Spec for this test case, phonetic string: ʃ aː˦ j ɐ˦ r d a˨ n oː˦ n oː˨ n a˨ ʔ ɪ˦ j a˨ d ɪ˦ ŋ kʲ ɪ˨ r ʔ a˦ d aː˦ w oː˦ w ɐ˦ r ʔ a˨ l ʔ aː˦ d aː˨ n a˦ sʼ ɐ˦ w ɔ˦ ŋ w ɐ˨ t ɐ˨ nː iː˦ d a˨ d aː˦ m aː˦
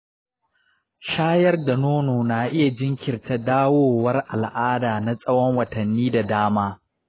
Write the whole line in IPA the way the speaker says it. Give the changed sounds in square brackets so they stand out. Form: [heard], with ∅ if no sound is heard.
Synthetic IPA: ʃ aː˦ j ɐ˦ r d a˨ n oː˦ n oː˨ n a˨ ʔ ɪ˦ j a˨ [d͡ʒ] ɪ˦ ŋ kʲ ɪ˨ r [t] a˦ d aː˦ w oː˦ w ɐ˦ r ʔ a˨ l ʔ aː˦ d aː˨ n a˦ sʼ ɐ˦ w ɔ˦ ŋ w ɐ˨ t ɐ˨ nː iː˦ d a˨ d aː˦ m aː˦

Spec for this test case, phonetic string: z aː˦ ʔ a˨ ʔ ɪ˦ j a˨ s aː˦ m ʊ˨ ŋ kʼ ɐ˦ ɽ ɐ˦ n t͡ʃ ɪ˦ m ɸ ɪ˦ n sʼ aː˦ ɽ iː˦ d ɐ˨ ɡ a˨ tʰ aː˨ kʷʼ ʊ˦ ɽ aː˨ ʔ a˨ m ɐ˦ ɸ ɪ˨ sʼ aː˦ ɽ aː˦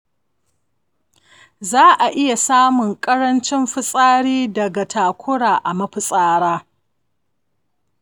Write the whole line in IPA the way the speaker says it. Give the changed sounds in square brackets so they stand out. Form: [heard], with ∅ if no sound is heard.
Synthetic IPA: z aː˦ ʔ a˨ ʔ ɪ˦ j a˨ s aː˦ m ʊ˨ ŋ kʼ ɐ˦ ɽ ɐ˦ n t͡ʃ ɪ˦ m ɸ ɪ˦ [∅] sʼ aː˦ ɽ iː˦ d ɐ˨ ɡ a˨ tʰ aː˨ [kʷ] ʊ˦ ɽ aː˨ ʔ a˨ m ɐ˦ ɸ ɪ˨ sʼ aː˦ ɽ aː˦

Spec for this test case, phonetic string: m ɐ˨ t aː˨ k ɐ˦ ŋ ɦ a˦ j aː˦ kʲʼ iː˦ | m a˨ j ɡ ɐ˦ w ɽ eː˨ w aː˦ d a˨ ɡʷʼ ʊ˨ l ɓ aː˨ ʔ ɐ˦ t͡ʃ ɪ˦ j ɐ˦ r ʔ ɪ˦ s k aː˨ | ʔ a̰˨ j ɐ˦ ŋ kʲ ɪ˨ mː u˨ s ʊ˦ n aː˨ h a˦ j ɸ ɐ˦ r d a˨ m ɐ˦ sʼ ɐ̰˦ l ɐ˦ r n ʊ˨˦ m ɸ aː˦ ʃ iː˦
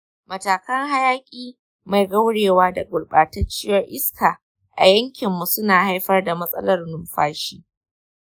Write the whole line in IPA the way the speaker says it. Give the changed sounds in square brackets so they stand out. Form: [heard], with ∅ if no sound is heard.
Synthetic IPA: m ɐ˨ t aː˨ k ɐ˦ ŋ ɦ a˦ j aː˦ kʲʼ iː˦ | m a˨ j ɡ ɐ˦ w ɽ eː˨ w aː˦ d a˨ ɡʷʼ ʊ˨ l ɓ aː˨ [t] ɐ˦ t͡ʃ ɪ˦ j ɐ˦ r ʔ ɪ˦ s k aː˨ | ʔ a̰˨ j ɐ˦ ŋ kʲ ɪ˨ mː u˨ s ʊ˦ n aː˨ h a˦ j ɸ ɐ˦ r d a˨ m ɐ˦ sʼ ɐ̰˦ l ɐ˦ r n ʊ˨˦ m ɸ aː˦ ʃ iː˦

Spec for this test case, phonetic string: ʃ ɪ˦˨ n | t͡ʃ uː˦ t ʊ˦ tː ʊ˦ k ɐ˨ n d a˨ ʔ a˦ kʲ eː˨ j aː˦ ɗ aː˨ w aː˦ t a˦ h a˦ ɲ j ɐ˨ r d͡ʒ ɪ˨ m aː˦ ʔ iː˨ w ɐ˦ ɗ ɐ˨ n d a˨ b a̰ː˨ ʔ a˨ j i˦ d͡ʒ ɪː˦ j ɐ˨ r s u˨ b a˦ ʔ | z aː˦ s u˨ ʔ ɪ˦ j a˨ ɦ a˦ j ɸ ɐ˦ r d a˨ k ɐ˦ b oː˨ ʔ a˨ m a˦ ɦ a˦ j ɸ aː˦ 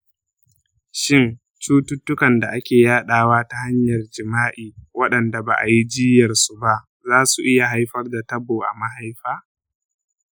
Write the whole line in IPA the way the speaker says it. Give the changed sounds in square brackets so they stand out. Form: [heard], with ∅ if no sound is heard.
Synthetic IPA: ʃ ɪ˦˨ n | t͡ʃ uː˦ t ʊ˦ tː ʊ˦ k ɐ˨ n d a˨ ʔ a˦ kʲ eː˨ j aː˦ ɗ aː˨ w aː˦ t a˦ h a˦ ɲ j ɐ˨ r d͡ʒ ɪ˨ m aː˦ ʔ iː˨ w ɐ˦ ɗ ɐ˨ n d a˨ b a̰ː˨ ʔ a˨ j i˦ d͡ʒ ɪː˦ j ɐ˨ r s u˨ b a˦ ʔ | z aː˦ s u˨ ʔ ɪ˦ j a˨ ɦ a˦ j ɸ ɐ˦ r d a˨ [t] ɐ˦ b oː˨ ʔ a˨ m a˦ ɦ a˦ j ɸ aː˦

